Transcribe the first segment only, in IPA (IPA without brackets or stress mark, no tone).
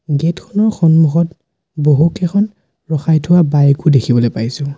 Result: ɡ